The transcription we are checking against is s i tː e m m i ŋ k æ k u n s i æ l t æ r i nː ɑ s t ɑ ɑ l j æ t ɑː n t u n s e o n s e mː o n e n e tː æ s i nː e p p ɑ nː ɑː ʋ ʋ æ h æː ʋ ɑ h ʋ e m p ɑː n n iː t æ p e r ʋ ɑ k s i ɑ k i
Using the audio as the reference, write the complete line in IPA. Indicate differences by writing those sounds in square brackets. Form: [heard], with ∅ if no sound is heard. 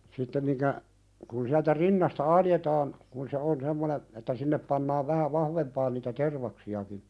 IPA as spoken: s i tː e m m i ŋ k æ k u n s i æ l t æ r i nː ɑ s t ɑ ɑ l j [e] t ɑː n [k] u n s e o n s e mː o n e n e tː æ s i nː e p p ɑ nː ɑː ʋ ʋ æ h [æ] ʋ ɑ h ʋ e m p ɑː n n iː t æ [t] e r ʋ ɑ k s i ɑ k i